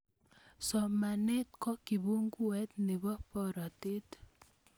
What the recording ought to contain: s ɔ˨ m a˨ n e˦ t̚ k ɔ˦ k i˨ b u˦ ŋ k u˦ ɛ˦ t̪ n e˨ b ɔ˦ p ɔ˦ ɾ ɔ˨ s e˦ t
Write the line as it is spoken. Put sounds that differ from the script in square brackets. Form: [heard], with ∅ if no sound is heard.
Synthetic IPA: s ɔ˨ m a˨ n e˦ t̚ k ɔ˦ k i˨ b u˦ ŋ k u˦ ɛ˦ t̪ n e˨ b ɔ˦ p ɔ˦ ɾ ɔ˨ [t] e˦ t